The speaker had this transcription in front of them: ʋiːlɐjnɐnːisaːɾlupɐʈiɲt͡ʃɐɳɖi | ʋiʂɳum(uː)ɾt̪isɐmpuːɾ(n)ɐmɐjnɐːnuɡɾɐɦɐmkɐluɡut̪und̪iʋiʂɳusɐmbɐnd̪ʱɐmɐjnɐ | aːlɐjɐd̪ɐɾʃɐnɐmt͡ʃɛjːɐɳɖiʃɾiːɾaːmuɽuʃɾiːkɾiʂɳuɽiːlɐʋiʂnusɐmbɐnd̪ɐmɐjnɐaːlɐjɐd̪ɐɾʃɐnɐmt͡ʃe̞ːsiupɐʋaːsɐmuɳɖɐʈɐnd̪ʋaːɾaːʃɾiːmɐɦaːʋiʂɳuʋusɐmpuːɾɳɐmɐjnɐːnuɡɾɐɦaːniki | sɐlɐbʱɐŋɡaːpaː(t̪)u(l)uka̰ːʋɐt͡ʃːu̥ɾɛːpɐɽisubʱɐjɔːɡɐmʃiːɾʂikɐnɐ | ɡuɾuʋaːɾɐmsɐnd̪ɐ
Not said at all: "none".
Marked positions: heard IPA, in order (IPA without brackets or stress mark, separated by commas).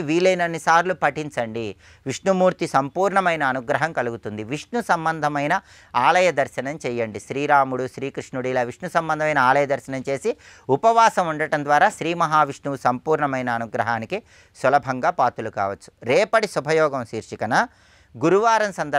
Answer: uː, ɳ, t̪, l